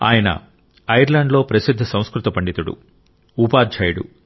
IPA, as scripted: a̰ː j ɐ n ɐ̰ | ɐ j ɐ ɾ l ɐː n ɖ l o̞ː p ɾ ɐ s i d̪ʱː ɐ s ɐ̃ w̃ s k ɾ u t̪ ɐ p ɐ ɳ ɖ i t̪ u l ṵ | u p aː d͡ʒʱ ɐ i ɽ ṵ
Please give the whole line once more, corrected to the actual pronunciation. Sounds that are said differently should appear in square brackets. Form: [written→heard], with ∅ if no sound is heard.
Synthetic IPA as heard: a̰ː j ɐ n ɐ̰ | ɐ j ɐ ɾ l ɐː [n→ɳ] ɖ l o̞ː p ɾ ɐ s i d̪ʱː ɐ s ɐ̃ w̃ s k ɾ u t̪ ɐ p ɐ ɳ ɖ i t̪ u [l→ɽ] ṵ | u p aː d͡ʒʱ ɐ [i→j] ɽ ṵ